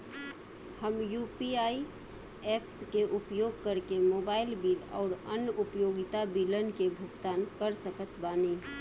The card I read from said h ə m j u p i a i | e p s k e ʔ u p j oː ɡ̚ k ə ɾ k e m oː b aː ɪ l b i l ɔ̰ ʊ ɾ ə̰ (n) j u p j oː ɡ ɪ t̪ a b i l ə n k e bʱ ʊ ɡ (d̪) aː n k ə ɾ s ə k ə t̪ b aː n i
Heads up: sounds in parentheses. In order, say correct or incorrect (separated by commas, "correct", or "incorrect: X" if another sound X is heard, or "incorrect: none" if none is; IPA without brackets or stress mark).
correct, incorrect: t̪